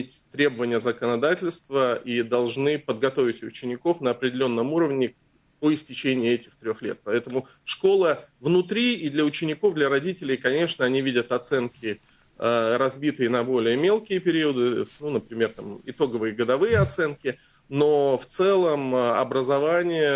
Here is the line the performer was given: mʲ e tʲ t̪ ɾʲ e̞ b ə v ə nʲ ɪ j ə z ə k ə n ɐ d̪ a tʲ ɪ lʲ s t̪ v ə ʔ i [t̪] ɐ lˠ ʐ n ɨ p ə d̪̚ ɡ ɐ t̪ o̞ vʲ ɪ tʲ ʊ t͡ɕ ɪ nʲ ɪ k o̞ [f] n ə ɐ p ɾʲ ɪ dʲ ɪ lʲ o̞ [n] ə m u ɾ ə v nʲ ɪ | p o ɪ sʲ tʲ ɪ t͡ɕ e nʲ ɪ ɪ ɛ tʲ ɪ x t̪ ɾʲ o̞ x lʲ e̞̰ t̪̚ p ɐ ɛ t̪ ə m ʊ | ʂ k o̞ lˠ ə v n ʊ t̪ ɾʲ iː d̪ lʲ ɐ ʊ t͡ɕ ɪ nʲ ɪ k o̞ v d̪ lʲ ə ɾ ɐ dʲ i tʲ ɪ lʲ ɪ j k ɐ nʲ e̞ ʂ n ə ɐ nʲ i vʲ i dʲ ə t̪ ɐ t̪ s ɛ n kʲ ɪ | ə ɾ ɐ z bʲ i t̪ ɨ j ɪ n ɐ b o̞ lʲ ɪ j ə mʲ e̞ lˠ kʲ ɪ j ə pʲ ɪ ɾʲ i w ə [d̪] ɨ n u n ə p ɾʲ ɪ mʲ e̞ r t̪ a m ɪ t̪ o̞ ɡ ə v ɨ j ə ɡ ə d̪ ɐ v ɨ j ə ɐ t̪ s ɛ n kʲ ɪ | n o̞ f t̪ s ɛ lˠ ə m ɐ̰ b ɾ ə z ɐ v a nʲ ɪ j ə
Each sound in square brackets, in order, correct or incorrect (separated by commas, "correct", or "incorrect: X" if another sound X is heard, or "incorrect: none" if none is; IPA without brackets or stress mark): incorrect: d̪, correct, incorrect: nː, correct